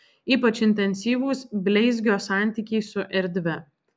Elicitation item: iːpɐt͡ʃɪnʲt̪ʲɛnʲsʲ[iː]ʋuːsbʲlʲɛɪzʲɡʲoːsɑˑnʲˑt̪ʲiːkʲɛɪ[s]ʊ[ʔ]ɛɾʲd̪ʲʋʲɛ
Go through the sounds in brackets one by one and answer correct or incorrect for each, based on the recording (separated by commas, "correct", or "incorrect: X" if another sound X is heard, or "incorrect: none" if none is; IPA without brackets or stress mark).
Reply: correct, correct, correct